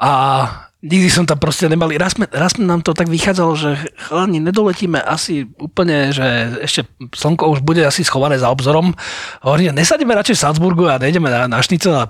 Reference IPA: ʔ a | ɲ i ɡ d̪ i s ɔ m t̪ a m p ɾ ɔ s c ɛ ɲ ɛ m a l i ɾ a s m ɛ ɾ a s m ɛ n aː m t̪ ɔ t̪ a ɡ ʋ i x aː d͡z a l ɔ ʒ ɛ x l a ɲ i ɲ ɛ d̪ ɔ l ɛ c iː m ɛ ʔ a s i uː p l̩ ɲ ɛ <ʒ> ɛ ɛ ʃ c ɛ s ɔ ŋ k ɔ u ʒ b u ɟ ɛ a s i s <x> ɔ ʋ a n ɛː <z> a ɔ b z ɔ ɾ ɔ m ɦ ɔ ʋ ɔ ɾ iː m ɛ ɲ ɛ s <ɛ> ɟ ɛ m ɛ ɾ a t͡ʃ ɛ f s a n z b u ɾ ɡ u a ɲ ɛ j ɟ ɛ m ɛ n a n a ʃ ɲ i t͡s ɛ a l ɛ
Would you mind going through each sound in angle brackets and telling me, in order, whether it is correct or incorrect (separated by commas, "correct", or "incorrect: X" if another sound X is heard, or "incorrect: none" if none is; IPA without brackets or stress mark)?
correct, correct, correct, incorrect: a